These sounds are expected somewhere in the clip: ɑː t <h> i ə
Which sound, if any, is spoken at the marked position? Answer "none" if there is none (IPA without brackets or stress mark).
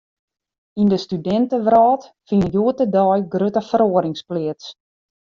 f